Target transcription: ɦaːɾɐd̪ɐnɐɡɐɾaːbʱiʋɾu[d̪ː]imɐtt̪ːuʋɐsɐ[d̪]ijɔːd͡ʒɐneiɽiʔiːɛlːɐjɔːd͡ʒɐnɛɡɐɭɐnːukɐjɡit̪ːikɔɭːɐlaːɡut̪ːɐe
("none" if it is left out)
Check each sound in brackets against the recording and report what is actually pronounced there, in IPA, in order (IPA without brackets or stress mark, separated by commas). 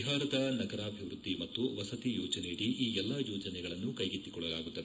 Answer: d̪ː, t̪